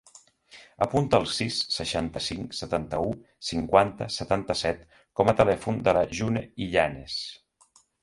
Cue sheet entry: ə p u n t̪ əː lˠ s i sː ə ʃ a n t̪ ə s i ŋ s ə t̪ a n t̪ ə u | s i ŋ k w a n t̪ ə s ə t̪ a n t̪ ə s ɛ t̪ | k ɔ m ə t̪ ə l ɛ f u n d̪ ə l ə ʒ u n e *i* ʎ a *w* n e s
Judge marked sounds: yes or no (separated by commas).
yes, no